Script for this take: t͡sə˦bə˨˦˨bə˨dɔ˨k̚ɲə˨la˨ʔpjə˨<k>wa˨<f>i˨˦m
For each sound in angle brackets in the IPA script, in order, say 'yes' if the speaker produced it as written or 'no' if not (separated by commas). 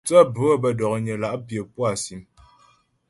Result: no, no